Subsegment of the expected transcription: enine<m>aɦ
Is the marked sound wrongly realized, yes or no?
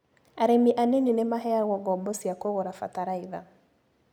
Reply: no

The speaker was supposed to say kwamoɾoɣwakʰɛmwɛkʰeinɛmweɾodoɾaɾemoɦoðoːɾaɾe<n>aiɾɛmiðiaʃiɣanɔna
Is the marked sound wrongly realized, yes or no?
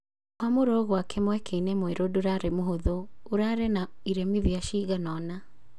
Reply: no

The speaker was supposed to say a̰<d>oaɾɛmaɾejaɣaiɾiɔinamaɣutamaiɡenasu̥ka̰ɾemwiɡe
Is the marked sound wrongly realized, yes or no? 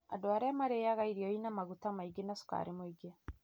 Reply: no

